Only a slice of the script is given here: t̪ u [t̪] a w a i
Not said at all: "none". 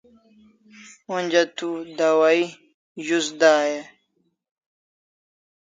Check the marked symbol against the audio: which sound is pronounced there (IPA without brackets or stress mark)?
d̪